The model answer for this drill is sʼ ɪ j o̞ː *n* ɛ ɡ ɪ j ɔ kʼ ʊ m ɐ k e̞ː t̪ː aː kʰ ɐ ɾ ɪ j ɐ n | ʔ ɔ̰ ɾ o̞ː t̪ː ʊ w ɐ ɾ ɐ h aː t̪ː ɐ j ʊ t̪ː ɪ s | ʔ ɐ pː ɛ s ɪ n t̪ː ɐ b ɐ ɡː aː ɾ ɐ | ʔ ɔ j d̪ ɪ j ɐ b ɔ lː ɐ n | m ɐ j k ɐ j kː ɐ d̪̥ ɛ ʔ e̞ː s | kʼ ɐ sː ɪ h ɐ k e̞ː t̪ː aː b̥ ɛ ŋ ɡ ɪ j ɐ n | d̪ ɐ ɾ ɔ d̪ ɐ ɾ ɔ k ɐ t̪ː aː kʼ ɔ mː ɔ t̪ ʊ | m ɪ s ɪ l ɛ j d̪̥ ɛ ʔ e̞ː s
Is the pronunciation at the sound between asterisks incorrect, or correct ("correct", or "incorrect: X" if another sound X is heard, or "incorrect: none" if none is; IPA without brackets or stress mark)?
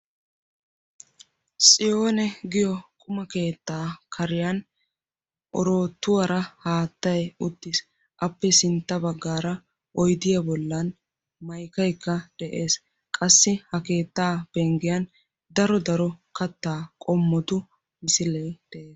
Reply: correct